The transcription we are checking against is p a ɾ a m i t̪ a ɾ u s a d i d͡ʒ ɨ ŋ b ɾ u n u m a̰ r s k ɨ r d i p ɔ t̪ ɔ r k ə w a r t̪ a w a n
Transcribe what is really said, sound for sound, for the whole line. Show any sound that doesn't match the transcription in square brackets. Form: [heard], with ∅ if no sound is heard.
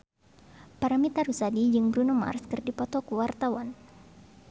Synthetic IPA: p a ɾ a m i t̪ a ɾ u s a d i d͡ʒ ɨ ŋ b ɾ u n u m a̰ r s k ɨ r d i p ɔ t̪ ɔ [∅] k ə w a r t̪ a w a n